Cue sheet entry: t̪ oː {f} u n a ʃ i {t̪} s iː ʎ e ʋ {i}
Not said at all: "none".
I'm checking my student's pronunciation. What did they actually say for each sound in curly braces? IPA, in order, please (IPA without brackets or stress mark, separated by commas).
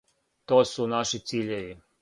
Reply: s, t̪, i